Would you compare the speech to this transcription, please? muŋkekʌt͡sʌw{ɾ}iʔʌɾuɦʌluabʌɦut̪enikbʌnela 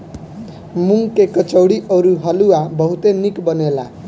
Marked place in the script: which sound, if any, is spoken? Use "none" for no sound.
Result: ɽ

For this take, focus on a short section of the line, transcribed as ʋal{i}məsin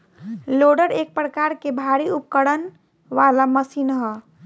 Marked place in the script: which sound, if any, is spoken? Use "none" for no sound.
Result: a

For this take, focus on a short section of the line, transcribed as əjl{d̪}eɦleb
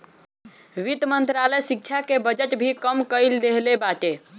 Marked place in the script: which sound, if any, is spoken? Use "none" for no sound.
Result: d̪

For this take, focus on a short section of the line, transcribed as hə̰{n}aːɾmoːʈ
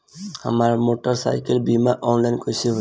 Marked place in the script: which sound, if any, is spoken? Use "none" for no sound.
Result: m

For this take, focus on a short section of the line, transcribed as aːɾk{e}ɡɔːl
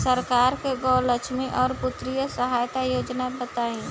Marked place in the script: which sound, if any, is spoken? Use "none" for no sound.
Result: e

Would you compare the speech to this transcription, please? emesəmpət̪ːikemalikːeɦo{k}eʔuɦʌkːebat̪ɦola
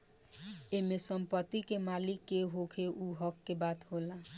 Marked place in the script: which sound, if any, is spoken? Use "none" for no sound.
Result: kʰ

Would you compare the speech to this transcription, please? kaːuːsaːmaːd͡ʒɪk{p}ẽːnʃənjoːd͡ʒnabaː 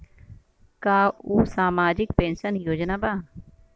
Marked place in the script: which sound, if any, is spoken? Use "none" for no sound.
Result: p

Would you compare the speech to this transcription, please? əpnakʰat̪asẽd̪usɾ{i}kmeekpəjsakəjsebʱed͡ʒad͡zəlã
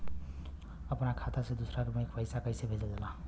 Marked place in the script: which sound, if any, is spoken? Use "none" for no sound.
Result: a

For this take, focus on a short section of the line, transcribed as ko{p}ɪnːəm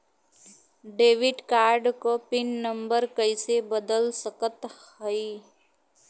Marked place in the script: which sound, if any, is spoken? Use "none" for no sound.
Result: p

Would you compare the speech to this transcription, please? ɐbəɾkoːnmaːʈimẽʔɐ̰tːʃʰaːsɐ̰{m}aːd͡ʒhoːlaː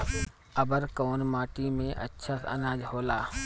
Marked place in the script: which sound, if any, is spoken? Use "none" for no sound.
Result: n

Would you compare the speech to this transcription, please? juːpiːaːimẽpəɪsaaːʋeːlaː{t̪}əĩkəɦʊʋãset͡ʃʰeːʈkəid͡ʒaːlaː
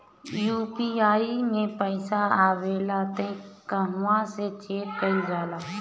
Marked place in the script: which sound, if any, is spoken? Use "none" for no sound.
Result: t̪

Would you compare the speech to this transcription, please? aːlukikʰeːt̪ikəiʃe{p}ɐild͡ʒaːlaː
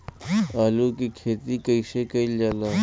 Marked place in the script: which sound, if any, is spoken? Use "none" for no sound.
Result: k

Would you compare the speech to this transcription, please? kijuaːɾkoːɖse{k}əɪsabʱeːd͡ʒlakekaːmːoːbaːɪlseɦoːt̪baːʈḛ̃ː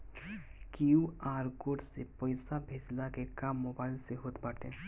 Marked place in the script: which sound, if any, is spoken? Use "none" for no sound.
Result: p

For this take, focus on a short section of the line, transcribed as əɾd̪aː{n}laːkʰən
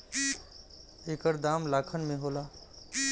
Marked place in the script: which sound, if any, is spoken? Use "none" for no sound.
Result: m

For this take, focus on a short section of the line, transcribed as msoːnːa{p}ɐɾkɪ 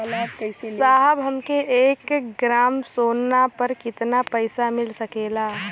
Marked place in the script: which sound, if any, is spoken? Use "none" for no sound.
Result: p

